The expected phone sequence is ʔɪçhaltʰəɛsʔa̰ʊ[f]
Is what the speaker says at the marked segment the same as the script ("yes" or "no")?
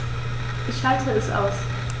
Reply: no